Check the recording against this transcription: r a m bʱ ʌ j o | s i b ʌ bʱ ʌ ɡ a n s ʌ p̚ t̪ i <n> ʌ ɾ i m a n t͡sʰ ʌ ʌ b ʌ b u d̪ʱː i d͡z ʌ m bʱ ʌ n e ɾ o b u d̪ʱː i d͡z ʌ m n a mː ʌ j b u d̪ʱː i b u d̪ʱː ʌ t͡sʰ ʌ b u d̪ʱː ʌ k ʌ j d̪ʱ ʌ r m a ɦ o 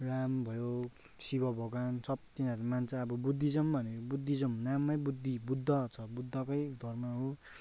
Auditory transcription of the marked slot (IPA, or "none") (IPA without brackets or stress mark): n